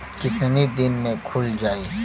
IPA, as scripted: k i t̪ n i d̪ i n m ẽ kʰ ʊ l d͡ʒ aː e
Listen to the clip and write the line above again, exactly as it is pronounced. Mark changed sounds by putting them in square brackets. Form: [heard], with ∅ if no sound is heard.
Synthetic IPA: k [ɪ] t̪ n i d̪ [ɪ] n m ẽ kʰ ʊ l d͡ʒ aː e